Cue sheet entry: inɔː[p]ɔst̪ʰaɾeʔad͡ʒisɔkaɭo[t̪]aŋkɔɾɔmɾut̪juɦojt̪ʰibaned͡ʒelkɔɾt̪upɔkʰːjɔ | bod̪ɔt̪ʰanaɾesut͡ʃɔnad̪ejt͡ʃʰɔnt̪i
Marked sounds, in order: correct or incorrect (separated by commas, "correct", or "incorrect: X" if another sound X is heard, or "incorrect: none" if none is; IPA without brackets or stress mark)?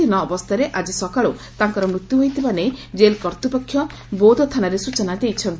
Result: incorrect: b, correct